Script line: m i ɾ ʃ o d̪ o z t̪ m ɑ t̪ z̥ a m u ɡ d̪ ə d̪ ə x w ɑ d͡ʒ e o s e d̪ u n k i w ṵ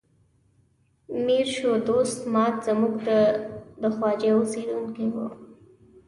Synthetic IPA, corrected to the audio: m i ɾ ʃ o d̪ o s t̪ m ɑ t̪ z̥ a m u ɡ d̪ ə d̪ ə x w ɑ d͡ʒ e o s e d̪ u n k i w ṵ